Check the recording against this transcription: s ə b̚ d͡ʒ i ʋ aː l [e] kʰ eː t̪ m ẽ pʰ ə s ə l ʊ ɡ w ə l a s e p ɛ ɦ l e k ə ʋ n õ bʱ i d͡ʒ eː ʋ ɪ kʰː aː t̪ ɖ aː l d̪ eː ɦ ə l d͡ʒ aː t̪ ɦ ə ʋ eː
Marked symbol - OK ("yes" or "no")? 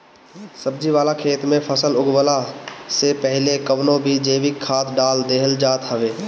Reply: no